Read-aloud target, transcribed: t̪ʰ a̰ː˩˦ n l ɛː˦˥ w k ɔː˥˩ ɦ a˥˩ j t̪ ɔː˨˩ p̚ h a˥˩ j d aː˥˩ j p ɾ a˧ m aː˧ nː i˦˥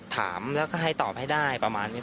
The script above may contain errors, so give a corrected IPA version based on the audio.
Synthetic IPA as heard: t̪ʰ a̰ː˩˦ m l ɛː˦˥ w k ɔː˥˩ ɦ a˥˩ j t̪ ɔː˨˩ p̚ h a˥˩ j d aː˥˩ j p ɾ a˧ m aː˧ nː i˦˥